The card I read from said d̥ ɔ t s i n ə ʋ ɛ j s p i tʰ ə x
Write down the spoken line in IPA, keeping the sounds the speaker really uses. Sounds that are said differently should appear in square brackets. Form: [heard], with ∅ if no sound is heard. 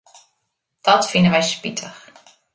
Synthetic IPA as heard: d̥ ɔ t [f] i n ə ʋ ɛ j s p i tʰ ə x